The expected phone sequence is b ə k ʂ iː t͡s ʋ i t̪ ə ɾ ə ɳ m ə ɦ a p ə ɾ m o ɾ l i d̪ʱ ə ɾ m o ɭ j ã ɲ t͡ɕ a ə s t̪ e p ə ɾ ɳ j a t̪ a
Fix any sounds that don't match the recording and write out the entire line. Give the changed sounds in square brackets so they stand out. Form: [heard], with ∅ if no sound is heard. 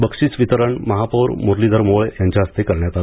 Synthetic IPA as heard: b ə k ʂ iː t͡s ʋ i t̪ ə ɾ ə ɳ m ə ɦ a p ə ɾ m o ɾ l i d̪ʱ ə ɾ m o ɭ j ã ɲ t͡ɕ a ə s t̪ e [k] ə ɾ ɳ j a t̪ a